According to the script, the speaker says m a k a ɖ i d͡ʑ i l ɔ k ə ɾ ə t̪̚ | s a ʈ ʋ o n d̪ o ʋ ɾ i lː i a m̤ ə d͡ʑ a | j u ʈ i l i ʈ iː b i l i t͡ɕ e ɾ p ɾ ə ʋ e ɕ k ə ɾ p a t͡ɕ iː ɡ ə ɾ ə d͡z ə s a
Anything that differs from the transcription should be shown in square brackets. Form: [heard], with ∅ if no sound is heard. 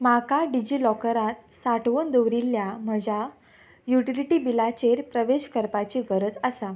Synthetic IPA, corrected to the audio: m a k a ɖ i d͡ʑ i l ɔ k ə ɾ [a] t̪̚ | s a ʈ ʋ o n d̪ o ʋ ɾ i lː [j] a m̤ ə d͡ʑ a | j u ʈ i l i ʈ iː b i l [a] t͡ɕ e ɾ p ɾ ə ʋ e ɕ k ə ɾ p a t͡ɕ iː ɡ ə ɾ ə d͡z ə s a